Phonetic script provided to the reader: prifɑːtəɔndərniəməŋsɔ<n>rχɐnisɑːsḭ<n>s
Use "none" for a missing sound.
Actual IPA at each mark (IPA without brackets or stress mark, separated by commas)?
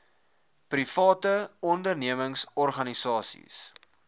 none, none